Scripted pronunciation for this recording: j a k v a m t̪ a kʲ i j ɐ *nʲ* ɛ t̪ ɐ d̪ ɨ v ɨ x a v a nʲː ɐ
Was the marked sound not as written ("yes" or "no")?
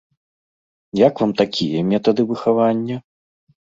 yes